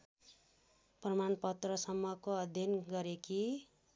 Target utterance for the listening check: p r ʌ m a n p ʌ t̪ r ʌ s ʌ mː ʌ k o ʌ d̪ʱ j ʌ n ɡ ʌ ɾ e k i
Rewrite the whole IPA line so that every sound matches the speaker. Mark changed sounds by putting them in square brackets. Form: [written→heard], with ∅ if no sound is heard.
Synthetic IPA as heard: p r ʌ m a n p ʌ t̪ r ʌ s ʌ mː ʌ k o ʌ d̪ʱ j ʌ n ɡ ʌ ɾ e k i